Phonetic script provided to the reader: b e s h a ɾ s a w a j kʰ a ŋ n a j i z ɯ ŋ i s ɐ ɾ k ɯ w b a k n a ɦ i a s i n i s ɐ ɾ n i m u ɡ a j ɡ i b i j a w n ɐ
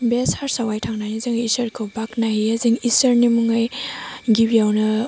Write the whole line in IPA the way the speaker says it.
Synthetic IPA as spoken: b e s h a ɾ s a w a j tʰ a ŋ n a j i z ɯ ŋ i s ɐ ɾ kʰ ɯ w b a k n a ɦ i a z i ŋ i s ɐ ɾ n i m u ŋ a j ɡ i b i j a w n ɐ